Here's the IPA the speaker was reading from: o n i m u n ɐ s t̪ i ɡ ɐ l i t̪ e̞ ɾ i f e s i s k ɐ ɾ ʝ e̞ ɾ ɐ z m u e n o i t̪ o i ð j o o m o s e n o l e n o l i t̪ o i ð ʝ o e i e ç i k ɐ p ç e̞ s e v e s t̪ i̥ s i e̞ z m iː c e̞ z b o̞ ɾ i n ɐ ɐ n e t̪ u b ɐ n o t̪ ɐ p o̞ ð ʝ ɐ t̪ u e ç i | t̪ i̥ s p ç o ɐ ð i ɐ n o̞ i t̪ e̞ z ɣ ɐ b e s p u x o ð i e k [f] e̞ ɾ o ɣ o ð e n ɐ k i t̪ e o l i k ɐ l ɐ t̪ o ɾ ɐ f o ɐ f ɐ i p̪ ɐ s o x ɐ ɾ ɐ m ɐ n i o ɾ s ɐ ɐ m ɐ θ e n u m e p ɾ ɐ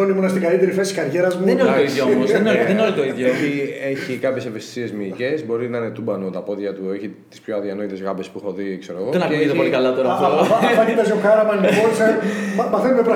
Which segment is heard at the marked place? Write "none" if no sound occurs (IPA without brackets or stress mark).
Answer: s